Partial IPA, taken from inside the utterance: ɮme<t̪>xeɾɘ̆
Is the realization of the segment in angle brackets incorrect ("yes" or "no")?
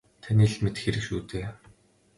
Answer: no